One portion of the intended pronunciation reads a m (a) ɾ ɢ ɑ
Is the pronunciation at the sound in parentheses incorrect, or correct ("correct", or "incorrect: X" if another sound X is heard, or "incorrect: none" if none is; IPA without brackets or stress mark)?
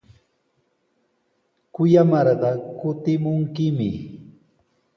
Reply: incorrect: ɑ